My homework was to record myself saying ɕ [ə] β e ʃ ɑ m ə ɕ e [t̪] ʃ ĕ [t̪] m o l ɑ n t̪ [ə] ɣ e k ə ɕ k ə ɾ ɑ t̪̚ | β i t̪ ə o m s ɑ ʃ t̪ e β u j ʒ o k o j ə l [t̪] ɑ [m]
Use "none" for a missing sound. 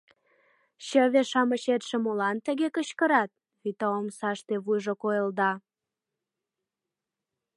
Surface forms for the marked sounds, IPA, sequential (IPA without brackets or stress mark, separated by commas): ə, t̪, none, ə, d̪, none